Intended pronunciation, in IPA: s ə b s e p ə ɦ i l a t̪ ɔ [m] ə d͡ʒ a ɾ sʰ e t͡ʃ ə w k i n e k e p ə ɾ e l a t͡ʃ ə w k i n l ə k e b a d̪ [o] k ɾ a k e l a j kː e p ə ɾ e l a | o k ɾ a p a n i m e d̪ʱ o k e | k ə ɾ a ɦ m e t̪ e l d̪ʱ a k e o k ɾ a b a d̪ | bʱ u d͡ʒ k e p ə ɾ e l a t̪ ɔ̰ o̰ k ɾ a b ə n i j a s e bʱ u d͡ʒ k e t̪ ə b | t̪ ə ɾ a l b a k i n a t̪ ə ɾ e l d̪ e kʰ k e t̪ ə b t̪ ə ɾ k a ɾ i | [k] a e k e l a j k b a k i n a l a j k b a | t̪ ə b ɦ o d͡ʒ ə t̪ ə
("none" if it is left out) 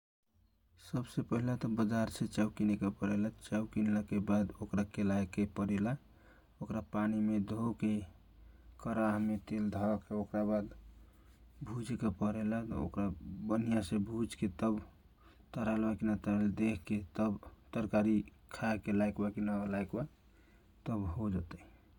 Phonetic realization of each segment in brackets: b, o, kʰ

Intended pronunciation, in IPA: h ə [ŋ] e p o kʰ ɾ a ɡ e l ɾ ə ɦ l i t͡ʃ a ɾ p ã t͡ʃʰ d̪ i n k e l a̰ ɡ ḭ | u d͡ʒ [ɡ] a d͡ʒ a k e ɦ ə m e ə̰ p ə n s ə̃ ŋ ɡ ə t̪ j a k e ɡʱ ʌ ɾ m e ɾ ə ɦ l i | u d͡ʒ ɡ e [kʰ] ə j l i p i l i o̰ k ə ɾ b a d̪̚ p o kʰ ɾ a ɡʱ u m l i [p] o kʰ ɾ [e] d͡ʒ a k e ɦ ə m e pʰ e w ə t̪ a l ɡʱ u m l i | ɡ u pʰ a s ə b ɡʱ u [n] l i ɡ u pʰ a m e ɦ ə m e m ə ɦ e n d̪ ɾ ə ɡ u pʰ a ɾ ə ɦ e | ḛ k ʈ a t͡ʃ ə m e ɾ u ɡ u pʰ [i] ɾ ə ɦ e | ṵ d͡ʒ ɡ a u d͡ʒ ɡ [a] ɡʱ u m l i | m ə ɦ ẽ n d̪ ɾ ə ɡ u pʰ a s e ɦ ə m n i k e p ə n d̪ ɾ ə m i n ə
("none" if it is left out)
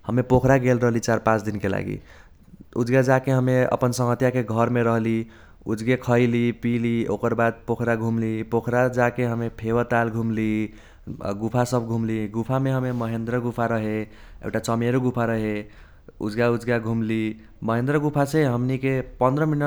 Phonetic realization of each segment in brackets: m, ɡ, kʰ, p, a, m, a, a

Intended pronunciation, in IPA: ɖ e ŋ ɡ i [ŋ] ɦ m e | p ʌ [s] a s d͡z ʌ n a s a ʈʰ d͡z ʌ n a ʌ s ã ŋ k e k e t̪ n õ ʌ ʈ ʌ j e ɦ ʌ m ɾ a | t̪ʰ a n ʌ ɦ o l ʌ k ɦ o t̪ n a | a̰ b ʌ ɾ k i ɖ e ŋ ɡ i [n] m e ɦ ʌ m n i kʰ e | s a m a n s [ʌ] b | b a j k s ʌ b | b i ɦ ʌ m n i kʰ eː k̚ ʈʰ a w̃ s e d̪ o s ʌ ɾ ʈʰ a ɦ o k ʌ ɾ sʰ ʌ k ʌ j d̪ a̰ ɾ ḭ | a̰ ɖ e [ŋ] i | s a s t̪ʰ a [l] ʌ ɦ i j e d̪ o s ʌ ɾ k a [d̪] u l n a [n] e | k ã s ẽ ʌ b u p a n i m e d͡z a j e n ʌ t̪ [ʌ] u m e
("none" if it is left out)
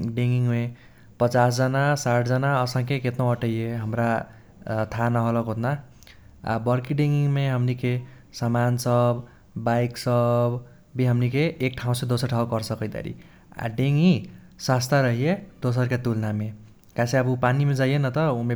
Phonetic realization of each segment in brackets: ŋ, t͡s, ŋ, ʌ, ŋ, ɾ, t̪, m, ʌ

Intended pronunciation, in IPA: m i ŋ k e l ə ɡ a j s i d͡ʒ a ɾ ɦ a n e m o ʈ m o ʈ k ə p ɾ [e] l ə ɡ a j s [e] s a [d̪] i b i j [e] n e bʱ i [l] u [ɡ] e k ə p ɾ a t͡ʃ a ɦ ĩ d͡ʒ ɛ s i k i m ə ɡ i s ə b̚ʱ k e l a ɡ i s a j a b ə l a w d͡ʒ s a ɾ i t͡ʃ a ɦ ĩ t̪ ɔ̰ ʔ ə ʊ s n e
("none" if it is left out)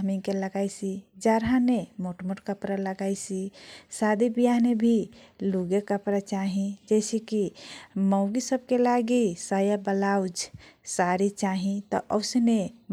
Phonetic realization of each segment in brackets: a, i, d̪, a, l, ɡ

